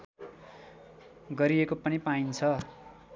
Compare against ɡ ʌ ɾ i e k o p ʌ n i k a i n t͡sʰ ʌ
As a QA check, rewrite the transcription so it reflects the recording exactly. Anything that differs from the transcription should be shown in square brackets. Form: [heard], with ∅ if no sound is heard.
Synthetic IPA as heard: ɡ ʌ ɾ i e k o p ʌ n i [p] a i n t͡sʰ ʌ

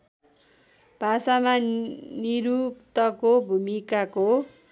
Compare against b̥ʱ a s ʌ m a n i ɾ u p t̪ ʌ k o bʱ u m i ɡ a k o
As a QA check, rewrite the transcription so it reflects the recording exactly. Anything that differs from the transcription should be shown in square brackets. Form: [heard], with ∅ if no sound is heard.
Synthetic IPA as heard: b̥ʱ a s [a] m a n i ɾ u p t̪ ʌ k o bʱ u m i [k] a k o

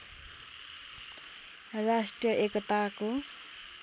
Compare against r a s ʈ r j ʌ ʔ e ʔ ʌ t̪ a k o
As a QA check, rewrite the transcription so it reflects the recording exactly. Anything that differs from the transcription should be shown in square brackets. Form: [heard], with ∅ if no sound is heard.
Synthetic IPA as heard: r a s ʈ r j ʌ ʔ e [k] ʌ t̪ a k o

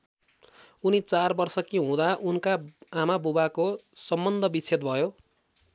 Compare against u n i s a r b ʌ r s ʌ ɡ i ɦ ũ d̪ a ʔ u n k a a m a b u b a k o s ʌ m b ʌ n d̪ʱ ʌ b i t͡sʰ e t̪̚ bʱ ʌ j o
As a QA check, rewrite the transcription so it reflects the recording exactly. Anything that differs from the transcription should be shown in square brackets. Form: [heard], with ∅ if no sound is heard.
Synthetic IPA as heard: u n i [t͡s] a r b ʌ r s ʌ [k] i ɦ ũ d̪ a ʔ u n k a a m a b u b a k o s ʌ m b ʌ n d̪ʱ ʌ b i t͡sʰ e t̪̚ bʱ ʌ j o

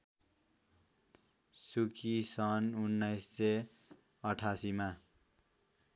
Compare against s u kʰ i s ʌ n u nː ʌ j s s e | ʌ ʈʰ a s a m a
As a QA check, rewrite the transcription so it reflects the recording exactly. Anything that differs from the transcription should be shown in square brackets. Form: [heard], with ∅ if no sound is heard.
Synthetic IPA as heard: s u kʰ i s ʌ n u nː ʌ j s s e | ʌ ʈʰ a s [i] m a

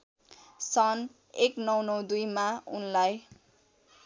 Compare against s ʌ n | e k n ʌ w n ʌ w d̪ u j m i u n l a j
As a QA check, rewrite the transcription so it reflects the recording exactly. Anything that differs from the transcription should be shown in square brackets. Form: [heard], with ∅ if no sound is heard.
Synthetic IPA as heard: s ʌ n | e k n ʌ w n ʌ w d̪ u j m [a] u n l a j

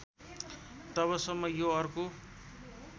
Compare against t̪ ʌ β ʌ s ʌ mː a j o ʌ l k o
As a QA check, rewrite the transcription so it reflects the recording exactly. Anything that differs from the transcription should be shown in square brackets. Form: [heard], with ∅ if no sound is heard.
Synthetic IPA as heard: t̪ ʌ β ʌ s ʌ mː [ʌ] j o ʌ [r] k o

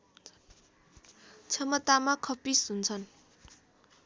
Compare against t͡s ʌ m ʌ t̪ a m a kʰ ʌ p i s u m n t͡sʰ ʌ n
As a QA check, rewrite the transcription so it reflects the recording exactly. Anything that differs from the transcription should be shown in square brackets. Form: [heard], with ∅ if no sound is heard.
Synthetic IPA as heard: [t͡sʰ] ʌ m ʌ t̪ a m a kʰ ʌ p i s u [∅] n t͡sʰ ʌ n

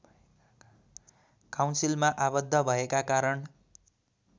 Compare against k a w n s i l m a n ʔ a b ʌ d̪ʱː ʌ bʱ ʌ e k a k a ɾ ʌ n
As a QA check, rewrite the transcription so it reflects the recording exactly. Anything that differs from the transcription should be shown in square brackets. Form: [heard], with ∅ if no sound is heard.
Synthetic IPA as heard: k a w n s i l m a [∅] ʔ a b ʌ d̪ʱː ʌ bʱ ʌ e k a k a ɾ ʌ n

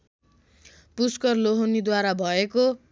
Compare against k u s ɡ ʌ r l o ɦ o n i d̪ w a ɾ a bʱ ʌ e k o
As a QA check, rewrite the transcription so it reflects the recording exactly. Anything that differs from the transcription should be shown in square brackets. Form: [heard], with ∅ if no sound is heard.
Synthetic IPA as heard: [p] u s [k] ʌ r l o ɦ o n i d̪ w a ɾ a bʱ ʌ e k o

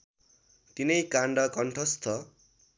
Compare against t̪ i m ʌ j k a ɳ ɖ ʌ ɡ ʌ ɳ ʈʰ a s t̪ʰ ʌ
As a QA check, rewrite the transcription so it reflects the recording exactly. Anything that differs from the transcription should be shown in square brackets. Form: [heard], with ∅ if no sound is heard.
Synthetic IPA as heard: t̪ i [n] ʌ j k a ɳ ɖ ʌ [k] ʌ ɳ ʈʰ [ʌ] s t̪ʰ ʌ

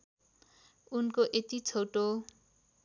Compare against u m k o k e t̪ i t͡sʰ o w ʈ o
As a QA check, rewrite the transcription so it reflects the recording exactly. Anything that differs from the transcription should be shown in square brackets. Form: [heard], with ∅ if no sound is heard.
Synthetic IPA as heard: u [n] k o [ʔ] e t̪ i t͡sʰ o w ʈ o

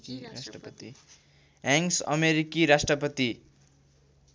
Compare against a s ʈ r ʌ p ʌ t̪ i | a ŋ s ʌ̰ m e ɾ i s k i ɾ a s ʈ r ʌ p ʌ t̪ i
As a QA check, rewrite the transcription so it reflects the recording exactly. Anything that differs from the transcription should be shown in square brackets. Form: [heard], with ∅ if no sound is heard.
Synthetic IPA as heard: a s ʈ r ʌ p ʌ t̪ i | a ŋ s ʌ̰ m e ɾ i [∅] k i ɾ a s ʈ r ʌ p ʌ t̪ i

